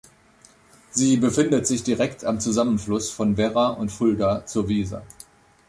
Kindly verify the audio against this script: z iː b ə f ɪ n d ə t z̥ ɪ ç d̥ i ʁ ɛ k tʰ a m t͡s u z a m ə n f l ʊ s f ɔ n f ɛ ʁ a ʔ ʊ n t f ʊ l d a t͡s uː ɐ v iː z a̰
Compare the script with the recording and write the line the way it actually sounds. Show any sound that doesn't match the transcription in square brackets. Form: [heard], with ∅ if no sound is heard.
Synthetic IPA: z iː b ə f ɪ n d ə t z̥ ɪ ç d̥ i ʁ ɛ k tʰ a m t͡s u z a m ə n f l ʊ s f ɔ n [v] ɛ ʁ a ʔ ʊ n t f ʊ l d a t͡s uː ɐ v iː z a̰